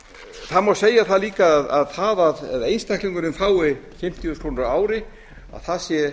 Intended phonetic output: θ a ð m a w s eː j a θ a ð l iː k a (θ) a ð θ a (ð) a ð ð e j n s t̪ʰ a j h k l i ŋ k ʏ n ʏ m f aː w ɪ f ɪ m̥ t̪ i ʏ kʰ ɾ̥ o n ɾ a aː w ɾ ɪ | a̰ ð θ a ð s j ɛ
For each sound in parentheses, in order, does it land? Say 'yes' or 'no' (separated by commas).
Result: no, yes